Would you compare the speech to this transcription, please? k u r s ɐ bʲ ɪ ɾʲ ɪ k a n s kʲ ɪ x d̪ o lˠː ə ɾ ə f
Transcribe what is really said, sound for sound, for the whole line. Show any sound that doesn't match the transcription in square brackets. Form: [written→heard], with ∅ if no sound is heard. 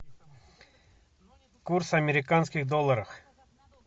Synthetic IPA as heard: k u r s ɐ [bʲ→mʲ] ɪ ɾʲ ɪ k a n s kʲ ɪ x d̪ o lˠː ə ɾ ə f